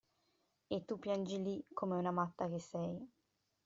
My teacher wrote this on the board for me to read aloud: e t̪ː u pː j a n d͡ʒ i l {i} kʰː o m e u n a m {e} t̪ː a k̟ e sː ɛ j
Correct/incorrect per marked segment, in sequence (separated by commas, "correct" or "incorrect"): correct, incorrect